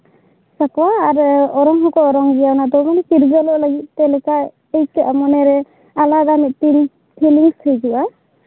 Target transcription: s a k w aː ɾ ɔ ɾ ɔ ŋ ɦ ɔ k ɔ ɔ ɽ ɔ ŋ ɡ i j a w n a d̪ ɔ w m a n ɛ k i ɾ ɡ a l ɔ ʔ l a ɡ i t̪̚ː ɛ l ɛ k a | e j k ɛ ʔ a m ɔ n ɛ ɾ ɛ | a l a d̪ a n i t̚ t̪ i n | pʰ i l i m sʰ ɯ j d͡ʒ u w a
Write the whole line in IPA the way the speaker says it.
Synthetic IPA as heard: s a k w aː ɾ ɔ ɾ ɔ ŋ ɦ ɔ k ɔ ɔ ɾ ɔ ŋ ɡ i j a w n a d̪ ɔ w m a n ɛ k i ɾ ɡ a l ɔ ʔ l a ɡ i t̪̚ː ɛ l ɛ k a | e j k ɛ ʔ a m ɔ n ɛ ɾ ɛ | a l a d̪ a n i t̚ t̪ i n | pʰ i l i ŋ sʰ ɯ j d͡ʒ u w a